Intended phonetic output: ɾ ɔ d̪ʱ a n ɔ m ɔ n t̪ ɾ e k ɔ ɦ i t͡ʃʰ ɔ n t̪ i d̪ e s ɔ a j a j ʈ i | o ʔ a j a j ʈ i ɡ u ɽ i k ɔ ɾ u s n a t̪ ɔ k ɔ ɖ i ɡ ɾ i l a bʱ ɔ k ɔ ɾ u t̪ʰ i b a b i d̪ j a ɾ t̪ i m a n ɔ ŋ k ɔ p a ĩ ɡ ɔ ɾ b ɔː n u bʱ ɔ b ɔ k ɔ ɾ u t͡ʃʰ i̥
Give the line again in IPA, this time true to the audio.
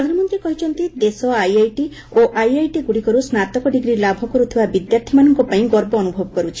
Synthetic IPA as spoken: ɾ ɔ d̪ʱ a n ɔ m ɔ n t̪ ɾ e k ɔ ɦ i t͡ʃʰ ɔ n t̪ i d̪ e s ɔ a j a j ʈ i | o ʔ a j a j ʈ i ɡ u ɽ i k ɔ ɾ u s n a t̪ ɔ k ɔ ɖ i ɡ ɾ i l a bʱ ɔ k ɔ ɾ u t̪ʰ i b a b i d̪ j a ɾ t̪ʰ i m a n ɔ ŋ k ɔ p a ĩ ɡ ɔ ɾ b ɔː n u bʱ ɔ b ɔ k ɔ ɾ u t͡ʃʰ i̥